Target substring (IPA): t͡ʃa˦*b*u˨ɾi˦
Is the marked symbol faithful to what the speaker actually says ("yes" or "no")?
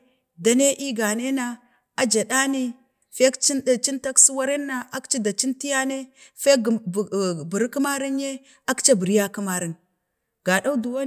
yes